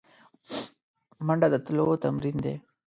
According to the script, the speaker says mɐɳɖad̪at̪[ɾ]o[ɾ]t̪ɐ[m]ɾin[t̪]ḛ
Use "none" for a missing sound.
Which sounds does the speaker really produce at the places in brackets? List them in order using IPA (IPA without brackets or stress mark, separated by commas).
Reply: l, none, m, d̪